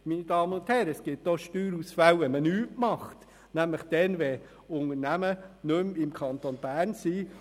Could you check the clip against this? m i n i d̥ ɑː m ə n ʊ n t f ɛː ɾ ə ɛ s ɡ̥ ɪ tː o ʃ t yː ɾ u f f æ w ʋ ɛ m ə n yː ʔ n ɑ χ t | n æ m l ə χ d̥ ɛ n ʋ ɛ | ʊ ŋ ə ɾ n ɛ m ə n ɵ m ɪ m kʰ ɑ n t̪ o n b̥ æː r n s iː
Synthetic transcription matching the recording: m i n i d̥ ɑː m ə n ʊ n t h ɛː ɾ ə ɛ s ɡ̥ ɪ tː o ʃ t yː ɾ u s f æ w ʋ ɛ m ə n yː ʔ m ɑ χ t | n æ m l ə χ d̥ ɛ n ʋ ɛ | ʊ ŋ ə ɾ n æ m ə n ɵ m ɪ m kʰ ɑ n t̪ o n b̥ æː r n s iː